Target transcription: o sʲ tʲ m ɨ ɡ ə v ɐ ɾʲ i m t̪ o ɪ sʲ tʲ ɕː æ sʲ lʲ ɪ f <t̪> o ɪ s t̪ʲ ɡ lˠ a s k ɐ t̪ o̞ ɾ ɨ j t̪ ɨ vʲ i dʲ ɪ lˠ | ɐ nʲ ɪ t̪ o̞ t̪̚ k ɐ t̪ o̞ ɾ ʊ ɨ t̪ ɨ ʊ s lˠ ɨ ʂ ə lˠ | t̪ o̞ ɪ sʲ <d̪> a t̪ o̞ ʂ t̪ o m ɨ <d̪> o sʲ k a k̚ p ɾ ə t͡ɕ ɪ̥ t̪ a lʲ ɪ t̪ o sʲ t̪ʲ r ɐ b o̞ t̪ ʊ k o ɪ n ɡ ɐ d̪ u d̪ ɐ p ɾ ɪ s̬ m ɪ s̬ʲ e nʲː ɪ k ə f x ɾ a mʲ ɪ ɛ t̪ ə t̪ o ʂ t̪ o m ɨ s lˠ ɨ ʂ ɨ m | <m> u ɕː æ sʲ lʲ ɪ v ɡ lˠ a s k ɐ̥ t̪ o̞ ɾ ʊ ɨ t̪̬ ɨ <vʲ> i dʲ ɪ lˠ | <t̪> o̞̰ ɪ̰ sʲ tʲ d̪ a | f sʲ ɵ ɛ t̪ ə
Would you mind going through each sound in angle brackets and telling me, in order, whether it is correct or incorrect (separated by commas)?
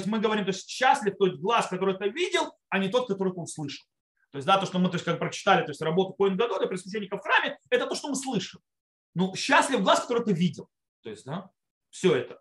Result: correct, correct, incorrect, incorrect, correct, correct